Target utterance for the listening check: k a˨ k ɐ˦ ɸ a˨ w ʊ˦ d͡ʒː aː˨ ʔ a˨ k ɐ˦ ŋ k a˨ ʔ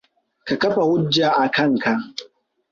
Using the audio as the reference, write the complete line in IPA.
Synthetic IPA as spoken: k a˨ k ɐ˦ ɸ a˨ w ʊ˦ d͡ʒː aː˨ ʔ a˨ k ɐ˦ ŋ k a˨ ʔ

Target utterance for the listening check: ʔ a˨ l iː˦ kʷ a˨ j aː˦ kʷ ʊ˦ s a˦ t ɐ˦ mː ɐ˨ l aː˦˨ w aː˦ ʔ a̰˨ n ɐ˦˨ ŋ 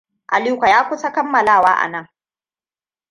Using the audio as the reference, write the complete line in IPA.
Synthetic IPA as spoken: ʔ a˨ l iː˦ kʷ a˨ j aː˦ kʷ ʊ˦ s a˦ k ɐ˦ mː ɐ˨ l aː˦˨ w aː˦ ʔ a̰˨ n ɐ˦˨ ŋ

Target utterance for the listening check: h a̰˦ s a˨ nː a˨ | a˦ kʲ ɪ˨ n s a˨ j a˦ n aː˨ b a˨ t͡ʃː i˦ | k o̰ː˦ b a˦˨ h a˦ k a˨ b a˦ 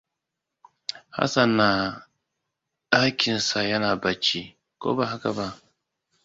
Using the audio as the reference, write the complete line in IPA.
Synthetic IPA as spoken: h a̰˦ s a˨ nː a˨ | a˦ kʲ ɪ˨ n s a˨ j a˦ n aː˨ b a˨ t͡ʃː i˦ | k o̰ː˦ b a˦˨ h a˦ k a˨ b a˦

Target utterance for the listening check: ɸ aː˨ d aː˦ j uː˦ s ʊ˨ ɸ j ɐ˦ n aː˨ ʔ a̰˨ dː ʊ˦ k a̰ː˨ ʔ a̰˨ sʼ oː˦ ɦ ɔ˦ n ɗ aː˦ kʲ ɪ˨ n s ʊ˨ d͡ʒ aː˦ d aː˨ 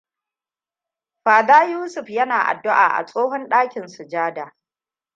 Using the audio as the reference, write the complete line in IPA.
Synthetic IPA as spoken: ɸ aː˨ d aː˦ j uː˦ s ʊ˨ ɸ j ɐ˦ n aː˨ ʔ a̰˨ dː ʊ˦ ʔ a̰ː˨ ʔ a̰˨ sʼ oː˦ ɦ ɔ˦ n ɗ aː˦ kʲ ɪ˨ n s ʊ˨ d͡ʒ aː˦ d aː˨

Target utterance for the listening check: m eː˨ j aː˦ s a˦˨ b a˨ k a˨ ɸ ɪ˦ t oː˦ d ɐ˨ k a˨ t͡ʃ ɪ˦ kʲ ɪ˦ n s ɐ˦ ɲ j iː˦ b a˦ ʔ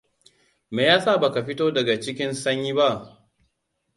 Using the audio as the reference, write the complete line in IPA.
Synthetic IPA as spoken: m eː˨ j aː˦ s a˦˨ b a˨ k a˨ ɸ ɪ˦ t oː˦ d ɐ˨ ɡ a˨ t͡ʃ ɪ˦ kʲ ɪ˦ n s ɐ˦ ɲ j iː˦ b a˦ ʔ

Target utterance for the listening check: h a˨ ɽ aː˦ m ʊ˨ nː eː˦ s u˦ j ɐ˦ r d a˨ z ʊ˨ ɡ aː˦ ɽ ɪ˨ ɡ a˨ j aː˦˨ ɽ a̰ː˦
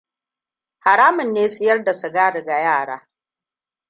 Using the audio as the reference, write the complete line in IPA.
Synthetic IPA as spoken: h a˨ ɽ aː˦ m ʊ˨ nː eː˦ s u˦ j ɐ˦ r d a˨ s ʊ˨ ɡ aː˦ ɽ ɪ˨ ɡ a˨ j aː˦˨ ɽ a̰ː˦

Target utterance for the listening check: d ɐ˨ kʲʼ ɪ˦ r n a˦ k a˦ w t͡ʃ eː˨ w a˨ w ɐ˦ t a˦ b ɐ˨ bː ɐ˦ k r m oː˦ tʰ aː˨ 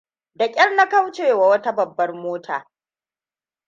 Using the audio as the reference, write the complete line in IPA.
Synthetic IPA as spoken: d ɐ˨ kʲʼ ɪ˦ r n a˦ k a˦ w t͡ʃ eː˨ w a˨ w ɐ˦ t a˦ b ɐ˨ bː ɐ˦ r m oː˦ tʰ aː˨

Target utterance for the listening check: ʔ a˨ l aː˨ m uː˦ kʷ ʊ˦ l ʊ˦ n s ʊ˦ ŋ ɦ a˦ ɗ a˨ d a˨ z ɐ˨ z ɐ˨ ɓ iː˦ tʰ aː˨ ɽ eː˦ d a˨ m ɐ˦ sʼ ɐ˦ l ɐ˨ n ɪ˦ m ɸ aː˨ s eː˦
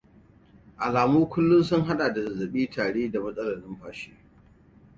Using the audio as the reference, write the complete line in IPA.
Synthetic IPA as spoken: ʔ a˨ l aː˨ m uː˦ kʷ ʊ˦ lː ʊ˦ n s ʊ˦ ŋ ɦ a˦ ɗ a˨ d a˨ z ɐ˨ z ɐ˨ ɓ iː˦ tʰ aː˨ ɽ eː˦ d a˨ m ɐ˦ sʼ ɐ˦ l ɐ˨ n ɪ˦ m ɸ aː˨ ʃ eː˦

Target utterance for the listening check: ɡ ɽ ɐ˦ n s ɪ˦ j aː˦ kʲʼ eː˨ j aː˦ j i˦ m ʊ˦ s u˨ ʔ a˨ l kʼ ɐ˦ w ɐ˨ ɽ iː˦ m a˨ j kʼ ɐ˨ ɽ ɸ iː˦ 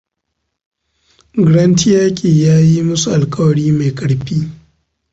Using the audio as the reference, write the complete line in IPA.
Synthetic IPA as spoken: ɡ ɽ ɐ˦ n t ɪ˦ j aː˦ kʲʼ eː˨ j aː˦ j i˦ m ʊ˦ s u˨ ʔ a˨ l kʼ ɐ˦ w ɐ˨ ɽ iː˦ m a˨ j kʼ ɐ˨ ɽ ɸ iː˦

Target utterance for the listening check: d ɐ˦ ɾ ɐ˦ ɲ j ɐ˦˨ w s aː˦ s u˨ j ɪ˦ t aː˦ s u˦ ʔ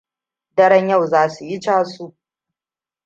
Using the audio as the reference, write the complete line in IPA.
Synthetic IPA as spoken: d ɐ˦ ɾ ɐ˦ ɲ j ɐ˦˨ w z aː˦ s u˨ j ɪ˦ t͡ʃ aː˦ s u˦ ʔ

